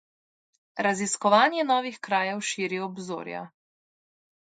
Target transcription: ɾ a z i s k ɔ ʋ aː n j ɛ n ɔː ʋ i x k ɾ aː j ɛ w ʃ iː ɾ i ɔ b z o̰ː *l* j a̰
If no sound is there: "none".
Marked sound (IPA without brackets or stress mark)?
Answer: ɾ